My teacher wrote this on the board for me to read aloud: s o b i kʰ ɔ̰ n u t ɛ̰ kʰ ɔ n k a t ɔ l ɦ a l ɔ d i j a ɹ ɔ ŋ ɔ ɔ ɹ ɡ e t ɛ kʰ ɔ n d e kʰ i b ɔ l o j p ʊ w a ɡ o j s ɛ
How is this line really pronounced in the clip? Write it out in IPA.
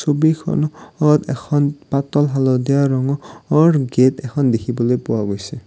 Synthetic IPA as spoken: s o b i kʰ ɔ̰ n ɔ t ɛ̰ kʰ ɔ n p a t ɔ l ɦ a l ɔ d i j a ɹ ɔ ŋ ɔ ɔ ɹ ɡ e t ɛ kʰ ɔ n d e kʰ i b ɔ l o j p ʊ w a ɡ o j s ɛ